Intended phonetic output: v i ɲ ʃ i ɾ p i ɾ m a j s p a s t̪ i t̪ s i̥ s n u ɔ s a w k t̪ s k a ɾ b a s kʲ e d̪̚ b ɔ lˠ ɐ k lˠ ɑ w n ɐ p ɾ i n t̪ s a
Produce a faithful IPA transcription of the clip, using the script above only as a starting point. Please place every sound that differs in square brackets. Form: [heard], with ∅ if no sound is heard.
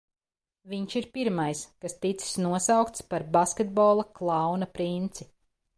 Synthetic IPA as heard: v i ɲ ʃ i ɾ p i ɾ m a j s [k] a s t̪ i t̪ s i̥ s n u ɔ s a w k t̪ s [p] a ɾ b a s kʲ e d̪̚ b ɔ lˠ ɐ k lˠ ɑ w n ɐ p ɾ i n t̪ s [i]